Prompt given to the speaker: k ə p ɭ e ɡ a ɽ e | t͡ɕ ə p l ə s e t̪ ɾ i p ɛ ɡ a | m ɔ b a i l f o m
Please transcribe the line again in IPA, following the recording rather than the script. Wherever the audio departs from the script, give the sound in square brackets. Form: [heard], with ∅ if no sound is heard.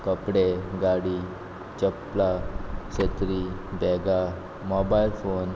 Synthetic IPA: k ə p [ɽ] e ɡ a ɽ [i] | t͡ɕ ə p l [a] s e t̪ ɾ i [b] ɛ ɡ a | m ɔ b a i l f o [n]